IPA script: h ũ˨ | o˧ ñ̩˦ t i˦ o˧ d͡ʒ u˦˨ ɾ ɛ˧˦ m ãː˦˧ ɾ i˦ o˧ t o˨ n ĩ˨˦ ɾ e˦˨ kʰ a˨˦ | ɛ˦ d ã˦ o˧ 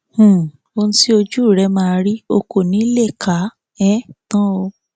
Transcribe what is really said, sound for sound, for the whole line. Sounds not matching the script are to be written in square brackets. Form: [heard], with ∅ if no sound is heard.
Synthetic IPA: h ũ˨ | o˧ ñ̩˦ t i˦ o˧ d͡ʒ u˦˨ ɾ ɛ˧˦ m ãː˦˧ ɾ i˦ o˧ [k] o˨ n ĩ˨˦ [l] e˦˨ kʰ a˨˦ | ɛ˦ [t] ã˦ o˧